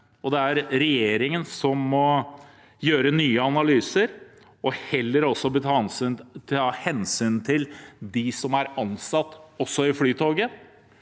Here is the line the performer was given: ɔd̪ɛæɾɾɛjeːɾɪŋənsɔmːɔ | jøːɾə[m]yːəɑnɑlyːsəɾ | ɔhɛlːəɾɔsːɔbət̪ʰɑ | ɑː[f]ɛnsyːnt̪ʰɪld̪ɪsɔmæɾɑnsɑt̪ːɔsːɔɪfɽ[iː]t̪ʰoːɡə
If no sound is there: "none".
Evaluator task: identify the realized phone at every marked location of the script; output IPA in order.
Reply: n, h, yː

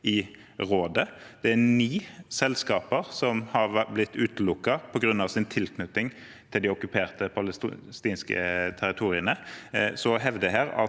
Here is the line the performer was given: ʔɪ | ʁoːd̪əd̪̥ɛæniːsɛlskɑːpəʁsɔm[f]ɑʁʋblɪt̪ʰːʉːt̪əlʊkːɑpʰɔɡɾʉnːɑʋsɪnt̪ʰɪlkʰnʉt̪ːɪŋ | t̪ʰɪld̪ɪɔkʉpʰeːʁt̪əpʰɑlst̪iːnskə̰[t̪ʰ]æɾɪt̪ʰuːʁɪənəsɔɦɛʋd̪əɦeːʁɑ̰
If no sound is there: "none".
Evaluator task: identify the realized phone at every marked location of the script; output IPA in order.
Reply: h, t̪ʰ

